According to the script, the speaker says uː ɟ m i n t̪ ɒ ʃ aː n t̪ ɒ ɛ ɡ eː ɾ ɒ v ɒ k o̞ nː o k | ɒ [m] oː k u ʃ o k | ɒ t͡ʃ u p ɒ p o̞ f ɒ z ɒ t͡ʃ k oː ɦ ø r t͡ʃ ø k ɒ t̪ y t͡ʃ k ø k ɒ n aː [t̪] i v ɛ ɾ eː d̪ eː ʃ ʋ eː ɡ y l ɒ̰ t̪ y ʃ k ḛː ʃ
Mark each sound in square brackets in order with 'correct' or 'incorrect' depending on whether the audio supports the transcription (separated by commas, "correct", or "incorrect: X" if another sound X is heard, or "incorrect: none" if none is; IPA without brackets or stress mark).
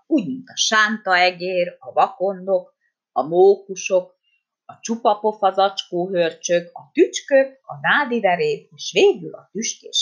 correct, incorrect: d̪